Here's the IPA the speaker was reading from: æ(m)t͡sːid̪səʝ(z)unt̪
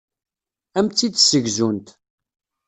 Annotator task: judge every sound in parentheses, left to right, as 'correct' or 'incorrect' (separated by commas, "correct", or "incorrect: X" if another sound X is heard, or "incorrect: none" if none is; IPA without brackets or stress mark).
correct, correct